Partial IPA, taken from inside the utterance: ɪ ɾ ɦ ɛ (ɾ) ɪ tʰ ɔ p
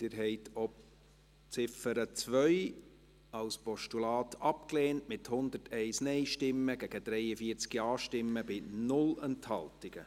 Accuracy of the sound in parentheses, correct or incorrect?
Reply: incorrect